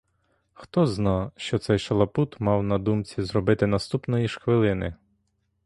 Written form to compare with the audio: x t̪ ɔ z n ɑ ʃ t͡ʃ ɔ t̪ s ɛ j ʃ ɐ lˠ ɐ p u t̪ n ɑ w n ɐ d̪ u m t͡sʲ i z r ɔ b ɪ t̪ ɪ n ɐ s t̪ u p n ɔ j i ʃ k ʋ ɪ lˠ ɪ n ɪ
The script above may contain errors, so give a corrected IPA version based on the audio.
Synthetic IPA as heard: x t̪ ɔ z n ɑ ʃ t͡ʃ ɔ t̪ s ɛ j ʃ ɐ lˠ ɐ p u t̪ m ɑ w n ɐ d̪ u m t͡sʲ i z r ɔ b ɪ t̪ ɪ n ɐ s t̪ u p n ɔ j i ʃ x ʋ ɪ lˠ ɪ n ɪ